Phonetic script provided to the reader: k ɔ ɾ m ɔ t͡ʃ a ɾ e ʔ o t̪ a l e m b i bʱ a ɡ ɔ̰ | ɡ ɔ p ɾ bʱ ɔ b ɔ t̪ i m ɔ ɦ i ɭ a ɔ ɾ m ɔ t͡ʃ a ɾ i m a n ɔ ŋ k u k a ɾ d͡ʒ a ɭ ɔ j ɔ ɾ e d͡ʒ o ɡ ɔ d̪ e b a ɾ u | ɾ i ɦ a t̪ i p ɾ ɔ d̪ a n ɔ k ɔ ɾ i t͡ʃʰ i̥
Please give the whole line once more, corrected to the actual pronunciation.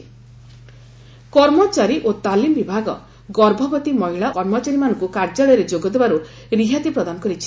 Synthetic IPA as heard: k ɔ ɾ m ɔ t͡ʃ a ɾ i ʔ o t̪ a l i m b i bʱ a ɡ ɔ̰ | ɡ ɔ ɾ bʱ ɔ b ɔ t̪ i m ɔ ɦ i ɭ a ɔ ɾ m ɔ t͡ʃ a ɾ i m a n ɔ ŋ k u k a ɾ d͡ʒ a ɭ ɔ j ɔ ɾ e d͡ʒ o ɡ ɔ d̪ e b a ɾ u | ɾ i ɦ a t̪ i p ɾ ɔ d̪ a n ɔ k ɔ ɾ i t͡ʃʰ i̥